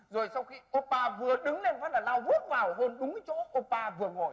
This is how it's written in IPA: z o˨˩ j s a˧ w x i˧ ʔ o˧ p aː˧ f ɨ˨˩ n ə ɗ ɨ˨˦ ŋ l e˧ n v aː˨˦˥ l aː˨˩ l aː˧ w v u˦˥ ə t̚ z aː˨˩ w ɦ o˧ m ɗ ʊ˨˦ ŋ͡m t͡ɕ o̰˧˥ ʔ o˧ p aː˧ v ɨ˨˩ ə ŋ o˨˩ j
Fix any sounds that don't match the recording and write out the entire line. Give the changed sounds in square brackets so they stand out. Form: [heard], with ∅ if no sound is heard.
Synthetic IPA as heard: z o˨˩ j s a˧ w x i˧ ʔ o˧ p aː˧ [v] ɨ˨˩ [∅] ə ɗ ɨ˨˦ ŋ l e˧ n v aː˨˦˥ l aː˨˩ l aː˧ w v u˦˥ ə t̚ [v] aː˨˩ w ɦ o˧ [n] ɗ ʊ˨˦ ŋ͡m t͡ɕ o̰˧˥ ʔ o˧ p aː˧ v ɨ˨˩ ə ŋ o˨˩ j